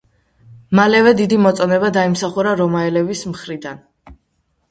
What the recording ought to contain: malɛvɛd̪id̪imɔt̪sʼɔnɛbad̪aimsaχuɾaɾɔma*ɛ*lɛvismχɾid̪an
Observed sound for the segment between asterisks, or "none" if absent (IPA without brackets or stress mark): ɛ